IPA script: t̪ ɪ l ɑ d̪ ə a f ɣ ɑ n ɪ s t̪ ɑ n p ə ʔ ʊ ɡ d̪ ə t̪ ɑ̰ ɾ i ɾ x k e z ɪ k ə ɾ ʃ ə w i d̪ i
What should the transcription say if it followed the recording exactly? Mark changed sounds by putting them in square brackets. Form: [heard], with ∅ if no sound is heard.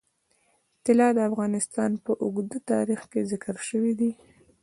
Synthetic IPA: t̪ ɪ l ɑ d̪ ə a f ɣ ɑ n ɪ s t̪ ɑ n p ə ʔ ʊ ɡ d̪ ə t̪ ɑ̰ ɾ i [∅] x k e z ɪ k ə ɾ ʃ ə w i d̪ i